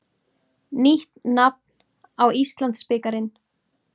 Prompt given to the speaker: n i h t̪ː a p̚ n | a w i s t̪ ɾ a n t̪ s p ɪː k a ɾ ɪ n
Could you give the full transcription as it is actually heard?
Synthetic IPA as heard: n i h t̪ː a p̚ n | a w i s t̪ l a n t̪ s p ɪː k a ɾ ɪ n